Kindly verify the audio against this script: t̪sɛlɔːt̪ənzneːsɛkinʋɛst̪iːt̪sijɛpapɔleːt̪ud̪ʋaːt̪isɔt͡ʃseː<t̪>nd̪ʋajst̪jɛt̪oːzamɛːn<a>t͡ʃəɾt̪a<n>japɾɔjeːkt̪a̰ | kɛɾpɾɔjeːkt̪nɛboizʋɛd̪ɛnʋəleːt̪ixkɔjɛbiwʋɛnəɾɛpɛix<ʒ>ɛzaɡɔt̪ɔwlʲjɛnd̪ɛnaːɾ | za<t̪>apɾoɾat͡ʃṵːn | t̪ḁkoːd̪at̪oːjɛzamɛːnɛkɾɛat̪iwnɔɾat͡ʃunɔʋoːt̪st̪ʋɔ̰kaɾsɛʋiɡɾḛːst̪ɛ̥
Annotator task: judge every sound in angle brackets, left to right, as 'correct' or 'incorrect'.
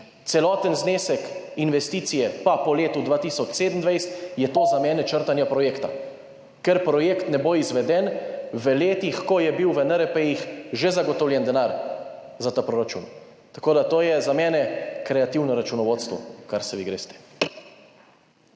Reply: incorrect, incorrect, correct, correct, correct

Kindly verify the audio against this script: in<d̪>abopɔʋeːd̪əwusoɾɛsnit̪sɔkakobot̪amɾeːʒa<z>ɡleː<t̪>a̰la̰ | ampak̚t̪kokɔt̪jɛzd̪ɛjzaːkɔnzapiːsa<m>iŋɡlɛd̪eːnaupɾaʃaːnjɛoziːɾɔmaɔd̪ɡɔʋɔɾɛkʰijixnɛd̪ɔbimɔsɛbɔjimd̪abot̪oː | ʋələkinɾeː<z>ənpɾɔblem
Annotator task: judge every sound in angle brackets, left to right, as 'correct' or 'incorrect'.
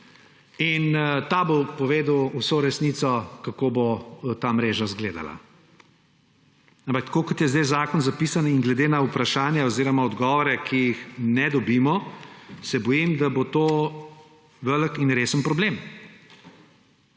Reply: incorrect, correct, incorrect, incorrect, incorrect

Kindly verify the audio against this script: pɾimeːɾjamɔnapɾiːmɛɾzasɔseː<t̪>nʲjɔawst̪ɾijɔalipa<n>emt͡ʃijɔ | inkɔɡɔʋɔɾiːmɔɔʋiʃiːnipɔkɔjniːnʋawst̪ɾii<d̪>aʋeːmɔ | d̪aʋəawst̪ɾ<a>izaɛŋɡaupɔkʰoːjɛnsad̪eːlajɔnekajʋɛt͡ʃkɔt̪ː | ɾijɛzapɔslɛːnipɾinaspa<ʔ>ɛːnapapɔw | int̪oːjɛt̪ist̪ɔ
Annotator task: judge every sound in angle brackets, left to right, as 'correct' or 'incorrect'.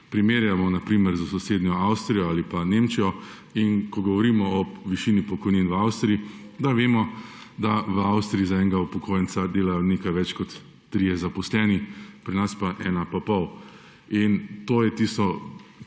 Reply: incorrect, correct, correct, incorrect, correct

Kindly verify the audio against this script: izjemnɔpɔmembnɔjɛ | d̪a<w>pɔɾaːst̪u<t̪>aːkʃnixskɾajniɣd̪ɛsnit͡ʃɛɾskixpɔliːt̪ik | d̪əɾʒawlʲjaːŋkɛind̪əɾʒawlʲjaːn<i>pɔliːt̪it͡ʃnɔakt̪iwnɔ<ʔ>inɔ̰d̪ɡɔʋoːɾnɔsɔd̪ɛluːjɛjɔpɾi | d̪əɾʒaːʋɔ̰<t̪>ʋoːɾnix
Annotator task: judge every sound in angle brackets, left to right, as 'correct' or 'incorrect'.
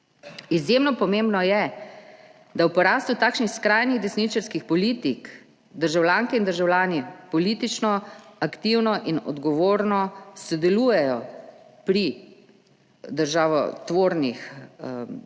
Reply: correct, correct, correct, correct, correct

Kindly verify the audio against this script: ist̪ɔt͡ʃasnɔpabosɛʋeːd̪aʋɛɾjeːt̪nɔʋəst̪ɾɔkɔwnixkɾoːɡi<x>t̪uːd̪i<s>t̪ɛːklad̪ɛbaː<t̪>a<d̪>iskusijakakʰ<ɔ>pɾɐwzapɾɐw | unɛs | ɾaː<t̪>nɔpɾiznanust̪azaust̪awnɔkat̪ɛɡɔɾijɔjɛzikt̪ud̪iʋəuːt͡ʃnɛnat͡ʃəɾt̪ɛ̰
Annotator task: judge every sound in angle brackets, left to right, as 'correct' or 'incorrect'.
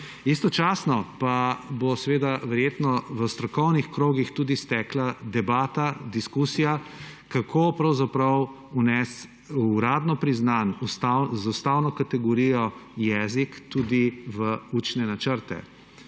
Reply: correct, correct, correct, correct, incorrect, incorrect

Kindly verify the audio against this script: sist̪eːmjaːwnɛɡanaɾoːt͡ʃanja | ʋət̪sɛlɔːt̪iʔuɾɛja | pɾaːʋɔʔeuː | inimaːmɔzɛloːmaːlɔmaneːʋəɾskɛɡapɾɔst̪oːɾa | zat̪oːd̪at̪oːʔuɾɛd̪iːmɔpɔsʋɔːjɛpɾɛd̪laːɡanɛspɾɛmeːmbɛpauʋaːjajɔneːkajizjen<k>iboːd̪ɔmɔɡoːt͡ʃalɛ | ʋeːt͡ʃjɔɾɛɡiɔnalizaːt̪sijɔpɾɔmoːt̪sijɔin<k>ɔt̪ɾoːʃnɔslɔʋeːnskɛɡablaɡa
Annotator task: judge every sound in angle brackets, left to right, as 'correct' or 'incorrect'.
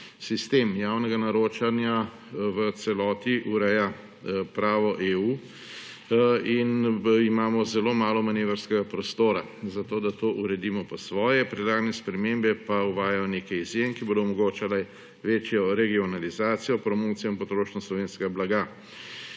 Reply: correct, incorrect

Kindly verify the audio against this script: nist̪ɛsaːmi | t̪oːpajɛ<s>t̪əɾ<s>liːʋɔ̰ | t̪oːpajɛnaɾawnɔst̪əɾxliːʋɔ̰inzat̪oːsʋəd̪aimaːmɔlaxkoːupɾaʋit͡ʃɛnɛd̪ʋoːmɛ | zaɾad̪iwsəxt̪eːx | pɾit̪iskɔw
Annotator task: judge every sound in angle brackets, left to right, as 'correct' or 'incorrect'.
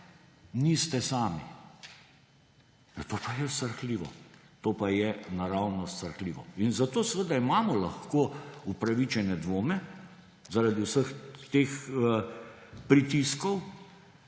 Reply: correct, incorrect

